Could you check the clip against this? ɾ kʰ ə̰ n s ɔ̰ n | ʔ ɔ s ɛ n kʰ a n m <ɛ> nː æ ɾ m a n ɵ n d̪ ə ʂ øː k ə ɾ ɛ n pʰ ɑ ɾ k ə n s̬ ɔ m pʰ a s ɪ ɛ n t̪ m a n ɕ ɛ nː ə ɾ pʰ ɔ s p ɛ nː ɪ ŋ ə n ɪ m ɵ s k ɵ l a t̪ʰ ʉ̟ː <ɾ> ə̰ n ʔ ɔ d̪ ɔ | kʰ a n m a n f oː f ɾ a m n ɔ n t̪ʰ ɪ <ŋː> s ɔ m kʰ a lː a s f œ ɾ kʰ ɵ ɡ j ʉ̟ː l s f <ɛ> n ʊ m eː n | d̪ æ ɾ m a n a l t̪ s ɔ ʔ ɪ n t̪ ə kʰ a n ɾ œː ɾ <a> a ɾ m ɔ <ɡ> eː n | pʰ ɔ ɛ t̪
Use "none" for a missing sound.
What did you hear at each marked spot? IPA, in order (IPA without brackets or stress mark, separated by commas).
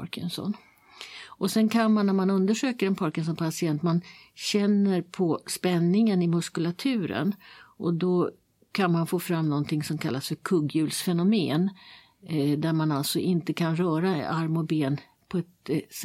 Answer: a, ɾ, ŋ, ɛ, a, b